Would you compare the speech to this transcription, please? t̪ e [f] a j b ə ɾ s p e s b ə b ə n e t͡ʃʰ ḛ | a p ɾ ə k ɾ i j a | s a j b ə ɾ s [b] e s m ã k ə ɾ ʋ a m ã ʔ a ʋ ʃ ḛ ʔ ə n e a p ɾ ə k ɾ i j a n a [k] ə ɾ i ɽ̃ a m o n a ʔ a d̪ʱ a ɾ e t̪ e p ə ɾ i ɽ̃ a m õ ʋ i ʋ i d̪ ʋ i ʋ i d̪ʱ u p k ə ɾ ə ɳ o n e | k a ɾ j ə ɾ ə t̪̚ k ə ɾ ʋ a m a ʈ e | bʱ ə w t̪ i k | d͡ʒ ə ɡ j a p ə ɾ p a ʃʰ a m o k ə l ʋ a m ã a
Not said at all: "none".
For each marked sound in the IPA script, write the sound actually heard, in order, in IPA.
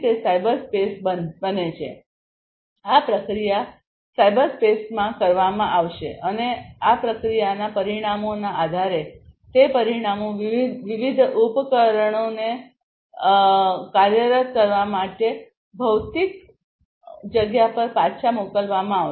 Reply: s, p, p

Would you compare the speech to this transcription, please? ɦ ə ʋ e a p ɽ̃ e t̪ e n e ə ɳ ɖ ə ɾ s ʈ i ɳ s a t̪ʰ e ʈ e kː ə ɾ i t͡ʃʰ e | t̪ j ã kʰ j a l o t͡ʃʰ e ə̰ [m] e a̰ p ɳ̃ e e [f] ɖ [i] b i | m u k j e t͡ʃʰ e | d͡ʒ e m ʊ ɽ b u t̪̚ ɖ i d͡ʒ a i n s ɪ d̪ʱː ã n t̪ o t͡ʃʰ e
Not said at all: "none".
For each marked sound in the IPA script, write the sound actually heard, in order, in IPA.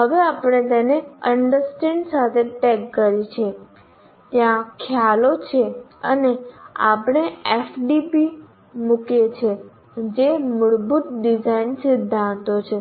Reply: n, f, i

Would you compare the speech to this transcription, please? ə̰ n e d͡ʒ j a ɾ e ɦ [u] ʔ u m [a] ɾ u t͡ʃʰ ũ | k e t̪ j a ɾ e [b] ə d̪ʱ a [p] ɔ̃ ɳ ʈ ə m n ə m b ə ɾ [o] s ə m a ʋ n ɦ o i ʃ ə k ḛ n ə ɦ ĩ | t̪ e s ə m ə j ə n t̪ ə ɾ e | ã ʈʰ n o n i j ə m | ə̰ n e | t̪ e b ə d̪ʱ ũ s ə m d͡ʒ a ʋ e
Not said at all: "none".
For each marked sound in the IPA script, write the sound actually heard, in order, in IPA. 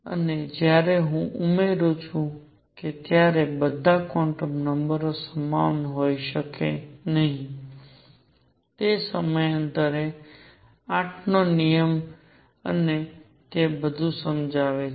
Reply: ũ, e, b, k, o

